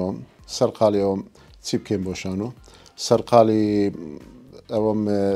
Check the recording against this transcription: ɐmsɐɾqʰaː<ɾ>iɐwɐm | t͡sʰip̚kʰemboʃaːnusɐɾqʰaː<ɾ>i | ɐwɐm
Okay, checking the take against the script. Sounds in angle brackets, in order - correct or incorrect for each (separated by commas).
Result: incorrect, incorrect